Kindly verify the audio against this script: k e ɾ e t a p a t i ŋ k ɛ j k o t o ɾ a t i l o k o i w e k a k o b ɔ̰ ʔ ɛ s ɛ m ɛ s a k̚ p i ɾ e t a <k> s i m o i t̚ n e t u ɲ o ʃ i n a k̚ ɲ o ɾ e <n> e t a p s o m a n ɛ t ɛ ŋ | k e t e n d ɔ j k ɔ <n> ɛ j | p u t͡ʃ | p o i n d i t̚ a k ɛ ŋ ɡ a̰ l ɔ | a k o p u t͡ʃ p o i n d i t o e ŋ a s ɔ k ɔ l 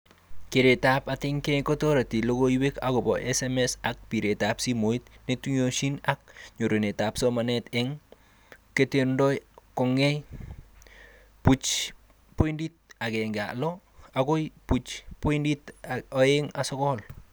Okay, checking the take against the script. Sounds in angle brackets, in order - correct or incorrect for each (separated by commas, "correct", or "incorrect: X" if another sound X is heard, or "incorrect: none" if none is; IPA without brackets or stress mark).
incorrect: p, correct, incorrect: ŋ